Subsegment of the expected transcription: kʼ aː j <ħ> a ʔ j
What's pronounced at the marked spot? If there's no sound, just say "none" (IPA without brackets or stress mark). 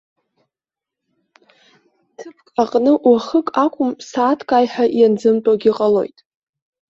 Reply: ħ